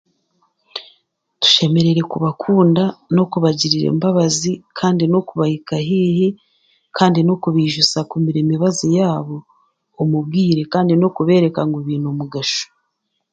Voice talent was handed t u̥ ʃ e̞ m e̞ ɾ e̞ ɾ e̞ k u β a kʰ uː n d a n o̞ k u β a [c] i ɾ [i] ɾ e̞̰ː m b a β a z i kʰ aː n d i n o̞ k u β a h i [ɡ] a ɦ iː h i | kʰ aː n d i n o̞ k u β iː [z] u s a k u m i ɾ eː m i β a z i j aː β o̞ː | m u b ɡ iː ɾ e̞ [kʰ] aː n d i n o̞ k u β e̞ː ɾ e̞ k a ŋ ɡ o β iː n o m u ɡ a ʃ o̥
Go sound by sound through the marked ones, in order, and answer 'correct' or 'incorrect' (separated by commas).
incorrect, correct, incorrect, incorrect, incorrect